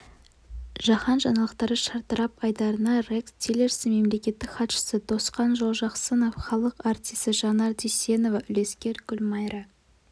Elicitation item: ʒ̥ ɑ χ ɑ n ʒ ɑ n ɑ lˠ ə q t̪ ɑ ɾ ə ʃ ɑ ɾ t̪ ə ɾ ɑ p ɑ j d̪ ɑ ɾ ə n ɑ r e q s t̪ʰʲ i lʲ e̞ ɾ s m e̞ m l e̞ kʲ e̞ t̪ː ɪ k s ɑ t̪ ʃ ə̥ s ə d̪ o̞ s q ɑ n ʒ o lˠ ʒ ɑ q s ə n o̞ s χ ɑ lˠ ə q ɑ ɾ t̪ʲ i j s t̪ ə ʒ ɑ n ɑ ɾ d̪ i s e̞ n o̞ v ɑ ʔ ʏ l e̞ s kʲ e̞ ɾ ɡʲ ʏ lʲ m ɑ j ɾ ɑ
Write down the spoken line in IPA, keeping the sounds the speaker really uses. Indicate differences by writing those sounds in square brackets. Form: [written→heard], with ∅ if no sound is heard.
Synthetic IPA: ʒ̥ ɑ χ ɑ n ʒ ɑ n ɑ lˠ ə q t̪ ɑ ɾ ə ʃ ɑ ɾ t̪ ə ɾ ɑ p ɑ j d̪ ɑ ɾ ə n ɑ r e [q→k] s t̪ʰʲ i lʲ e̞ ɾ s m e̞ m l e̞ kʲ e̞ t̪ː ɪ k [s→χ] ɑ t̪ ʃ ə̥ s ə d̪ o̞ s q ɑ n ʒ o lˠ ʒ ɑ q s ə n o̞ [s→f] χ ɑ lˠ ə q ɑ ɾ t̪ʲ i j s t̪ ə ʒ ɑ n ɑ ɾ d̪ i s e̞ n o̞ v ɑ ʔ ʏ l e̞ s kʲ e̞ ɾ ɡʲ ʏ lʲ m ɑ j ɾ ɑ